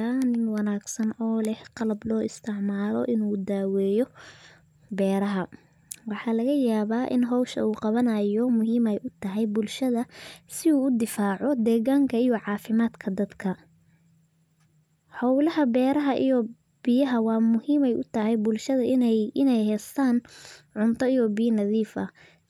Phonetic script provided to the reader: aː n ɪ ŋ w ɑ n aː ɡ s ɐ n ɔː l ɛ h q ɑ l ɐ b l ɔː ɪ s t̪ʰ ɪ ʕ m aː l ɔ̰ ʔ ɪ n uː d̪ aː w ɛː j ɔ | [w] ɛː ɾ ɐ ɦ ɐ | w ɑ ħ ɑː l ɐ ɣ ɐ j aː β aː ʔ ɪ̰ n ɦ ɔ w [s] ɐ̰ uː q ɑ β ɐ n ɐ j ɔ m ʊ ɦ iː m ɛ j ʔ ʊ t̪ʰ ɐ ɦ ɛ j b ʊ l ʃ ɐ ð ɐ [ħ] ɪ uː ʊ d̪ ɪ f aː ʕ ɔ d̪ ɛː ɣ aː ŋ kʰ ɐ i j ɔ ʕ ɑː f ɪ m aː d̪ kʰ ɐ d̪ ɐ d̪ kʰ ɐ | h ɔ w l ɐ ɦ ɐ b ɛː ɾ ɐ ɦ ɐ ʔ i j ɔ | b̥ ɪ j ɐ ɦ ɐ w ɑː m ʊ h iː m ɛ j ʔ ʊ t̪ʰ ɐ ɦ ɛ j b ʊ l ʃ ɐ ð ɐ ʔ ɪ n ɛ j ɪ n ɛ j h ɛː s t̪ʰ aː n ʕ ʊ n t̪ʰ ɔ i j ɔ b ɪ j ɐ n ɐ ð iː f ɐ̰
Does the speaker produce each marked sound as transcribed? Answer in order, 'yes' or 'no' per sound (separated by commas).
no, no, no